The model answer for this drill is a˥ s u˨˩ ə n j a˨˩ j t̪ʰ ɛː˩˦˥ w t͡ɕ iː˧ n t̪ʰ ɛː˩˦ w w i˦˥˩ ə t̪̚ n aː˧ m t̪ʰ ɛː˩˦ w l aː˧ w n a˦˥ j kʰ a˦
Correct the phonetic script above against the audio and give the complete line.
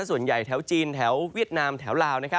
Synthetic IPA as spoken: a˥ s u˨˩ ə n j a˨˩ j t̪ʰ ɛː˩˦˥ w t͡ɕ iː˧ n t̪ʰ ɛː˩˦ w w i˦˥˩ ə t̪̚ n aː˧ m t̪ʰ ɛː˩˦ w l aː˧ w n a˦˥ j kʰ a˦